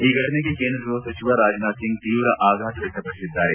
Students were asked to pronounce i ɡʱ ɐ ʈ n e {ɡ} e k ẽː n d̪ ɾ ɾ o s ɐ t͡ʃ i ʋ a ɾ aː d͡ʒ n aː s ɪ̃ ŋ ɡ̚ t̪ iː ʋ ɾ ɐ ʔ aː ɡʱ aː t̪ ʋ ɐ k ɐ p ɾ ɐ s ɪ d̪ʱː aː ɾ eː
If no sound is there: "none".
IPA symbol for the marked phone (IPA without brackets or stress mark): k